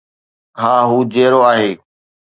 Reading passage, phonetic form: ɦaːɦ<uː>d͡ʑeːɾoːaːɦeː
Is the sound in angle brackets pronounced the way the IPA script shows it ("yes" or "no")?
yes